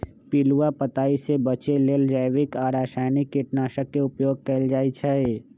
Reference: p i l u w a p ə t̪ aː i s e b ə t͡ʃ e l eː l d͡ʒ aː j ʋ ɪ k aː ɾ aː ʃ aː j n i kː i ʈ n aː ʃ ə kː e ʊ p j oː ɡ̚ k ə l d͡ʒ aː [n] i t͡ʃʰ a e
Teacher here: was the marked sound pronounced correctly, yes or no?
no